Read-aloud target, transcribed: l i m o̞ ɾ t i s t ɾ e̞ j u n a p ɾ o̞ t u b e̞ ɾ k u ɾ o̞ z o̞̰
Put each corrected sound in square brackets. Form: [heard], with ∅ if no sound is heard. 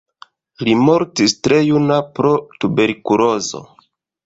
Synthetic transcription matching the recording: l i m o̞ ɾ t i s t ɾ e̞ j u n a p ɾ o̞ t u b e̞ ɾ k u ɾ o̞ z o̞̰